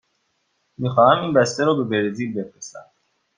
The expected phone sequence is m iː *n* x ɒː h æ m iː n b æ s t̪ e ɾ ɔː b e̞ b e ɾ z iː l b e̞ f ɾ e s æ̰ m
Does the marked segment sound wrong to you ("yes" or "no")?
yes